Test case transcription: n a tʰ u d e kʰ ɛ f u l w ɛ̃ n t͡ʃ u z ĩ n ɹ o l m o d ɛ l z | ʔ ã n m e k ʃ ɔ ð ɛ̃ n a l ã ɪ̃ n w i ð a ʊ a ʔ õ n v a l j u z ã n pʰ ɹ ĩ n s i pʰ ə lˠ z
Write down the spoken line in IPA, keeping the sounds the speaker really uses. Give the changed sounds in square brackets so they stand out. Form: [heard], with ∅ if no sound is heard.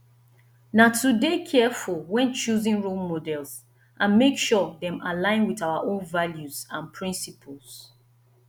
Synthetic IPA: n a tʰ u d e kʰ ɛ f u l w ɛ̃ n t͡ʃ u z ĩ n ɹ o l m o d ɛ l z | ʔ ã n m e k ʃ ɔ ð ɛ̃ [m] a l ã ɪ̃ n w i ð a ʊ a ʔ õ n v a l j u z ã n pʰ ɹ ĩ n s i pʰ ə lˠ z